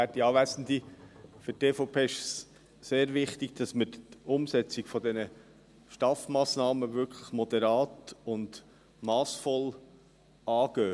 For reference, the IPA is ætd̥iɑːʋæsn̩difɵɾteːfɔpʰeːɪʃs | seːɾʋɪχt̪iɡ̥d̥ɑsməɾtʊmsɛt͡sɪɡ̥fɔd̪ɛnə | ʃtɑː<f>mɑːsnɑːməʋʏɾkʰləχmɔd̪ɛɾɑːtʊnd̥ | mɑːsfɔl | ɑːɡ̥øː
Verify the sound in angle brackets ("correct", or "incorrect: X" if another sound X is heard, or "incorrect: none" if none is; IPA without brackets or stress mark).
correct